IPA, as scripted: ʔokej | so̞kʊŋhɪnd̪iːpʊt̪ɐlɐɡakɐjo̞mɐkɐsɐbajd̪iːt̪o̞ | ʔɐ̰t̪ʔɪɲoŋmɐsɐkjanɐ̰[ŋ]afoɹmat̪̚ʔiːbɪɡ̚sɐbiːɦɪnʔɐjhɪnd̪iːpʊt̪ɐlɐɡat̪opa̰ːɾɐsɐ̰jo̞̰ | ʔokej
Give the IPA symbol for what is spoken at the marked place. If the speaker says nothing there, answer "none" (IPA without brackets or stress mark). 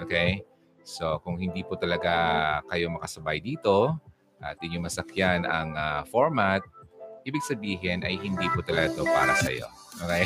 ŋ